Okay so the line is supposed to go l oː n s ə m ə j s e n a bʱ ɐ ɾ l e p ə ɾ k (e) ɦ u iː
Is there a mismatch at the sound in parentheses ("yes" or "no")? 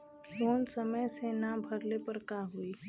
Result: yes